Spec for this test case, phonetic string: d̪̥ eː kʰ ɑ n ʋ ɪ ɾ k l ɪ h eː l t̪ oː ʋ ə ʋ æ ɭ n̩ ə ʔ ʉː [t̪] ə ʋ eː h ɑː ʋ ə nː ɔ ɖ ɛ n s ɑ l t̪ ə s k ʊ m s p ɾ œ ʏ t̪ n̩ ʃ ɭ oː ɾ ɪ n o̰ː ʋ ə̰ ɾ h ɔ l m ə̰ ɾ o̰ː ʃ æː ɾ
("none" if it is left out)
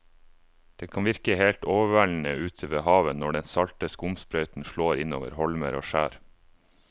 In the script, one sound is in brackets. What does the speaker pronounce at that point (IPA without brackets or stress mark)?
t̪ʰ